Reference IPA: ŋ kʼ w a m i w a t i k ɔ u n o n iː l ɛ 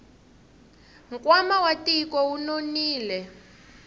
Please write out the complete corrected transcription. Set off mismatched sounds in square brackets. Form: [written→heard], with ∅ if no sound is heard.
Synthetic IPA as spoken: ŋ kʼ w a m [i→a] w a t i k ɔ u n o n iː l ɛ